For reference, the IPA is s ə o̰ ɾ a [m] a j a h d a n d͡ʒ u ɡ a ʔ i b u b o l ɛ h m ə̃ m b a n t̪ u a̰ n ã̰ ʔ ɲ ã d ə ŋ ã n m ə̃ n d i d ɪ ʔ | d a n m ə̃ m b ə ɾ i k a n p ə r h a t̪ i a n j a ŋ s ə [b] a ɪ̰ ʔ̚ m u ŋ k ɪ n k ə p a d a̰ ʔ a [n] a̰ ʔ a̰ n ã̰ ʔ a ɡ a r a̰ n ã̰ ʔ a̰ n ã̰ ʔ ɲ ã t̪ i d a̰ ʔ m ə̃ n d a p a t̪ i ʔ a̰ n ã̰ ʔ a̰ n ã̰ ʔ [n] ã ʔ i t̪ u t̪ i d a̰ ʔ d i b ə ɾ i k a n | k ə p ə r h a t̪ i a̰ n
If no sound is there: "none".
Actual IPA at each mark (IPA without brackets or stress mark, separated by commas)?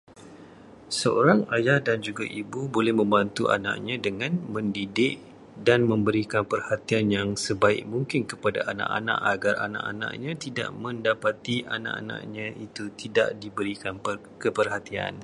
ŋ, b, n, ɲ